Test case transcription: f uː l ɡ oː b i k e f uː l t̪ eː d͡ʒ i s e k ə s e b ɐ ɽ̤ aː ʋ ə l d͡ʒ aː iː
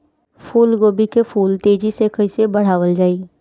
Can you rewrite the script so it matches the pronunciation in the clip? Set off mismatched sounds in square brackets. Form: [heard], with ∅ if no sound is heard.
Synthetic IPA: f uː l ɡ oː b i k e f uː l t̪ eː d͡ʒ i s e k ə s e b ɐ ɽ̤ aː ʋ ə l d͡ʒ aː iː